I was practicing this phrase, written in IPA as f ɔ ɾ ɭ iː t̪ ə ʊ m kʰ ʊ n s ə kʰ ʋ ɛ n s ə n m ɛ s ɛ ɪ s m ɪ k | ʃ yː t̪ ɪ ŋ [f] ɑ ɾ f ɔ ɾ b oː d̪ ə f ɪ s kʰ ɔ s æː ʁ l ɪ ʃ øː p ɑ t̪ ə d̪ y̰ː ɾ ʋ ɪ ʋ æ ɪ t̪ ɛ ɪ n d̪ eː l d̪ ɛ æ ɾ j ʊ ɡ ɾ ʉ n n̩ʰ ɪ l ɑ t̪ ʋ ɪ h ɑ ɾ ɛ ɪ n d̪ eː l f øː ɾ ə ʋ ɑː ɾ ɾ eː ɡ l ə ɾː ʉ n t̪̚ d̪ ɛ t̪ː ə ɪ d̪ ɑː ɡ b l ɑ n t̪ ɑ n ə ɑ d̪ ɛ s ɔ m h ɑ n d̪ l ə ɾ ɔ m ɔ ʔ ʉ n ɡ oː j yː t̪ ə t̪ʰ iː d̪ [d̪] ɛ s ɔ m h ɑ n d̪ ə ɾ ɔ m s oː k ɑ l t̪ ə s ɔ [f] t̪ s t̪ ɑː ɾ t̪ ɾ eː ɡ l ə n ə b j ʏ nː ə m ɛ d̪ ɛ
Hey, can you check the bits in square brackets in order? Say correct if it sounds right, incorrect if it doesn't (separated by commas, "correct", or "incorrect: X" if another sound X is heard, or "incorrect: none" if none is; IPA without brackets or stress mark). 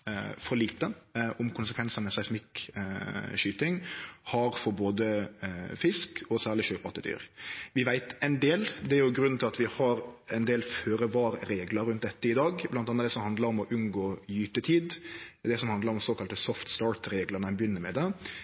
incorrect: h, correct, correct